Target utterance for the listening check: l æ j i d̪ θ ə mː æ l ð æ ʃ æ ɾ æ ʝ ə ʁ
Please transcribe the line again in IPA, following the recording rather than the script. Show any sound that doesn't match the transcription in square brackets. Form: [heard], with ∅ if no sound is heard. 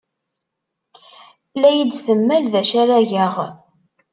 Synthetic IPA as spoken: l æ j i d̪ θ ə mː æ l ð æ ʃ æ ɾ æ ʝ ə ʁ